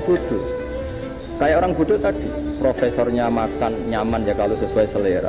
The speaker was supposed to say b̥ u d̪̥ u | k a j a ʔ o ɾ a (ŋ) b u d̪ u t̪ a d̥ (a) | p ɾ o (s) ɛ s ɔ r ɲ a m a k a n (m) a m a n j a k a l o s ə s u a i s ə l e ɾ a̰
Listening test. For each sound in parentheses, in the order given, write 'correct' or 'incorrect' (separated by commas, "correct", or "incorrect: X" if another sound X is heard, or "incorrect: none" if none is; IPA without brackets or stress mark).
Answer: correct, incorrect: i, incorrect: f, incorrect: ɲ